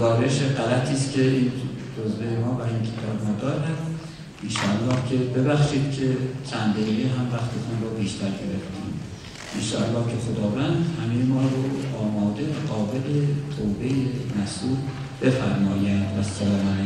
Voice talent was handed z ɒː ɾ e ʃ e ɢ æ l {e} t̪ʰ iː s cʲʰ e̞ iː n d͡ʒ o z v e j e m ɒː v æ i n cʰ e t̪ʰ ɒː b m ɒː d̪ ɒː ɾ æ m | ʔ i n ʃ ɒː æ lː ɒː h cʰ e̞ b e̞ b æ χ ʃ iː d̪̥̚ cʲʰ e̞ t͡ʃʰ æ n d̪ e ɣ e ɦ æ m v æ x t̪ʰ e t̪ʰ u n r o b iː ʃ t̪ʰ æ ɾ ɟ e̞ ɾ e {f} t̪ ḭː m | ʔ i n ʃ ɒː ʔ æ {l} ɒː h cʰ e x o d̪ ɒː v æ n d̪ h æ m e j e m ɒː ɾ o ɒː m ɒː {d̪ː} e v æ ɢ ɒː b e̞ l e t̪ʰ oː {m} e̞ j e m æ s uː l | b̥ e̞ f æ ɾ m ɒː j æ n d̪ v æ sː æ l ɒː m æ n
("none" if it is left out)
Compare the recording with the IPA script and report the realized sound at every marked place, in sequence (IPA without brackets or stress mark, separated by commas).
æ, f, lː, d̪, b